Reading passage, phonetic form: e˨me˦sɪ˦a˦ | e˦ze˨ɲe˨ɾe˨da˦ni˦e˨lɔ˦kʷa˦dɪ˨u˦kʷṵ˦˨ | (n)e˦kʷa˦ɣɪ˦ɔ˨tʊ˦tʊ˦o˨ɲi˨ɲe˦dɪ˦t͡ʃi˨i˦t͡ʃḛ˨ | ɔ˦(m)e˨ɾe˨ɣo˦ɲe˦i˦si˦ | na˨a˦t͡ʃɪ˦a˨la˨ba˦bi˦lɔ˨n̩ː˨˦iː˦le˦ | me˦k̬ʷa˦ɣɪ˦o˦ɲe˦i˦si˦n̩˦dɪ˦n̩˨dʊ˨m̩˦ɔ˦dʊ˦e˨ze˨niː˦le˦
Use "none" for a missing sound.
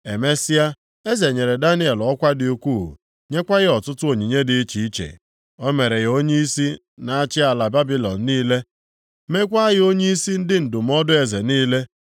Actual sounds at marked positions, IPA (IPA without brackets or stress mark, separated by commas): ɲ, m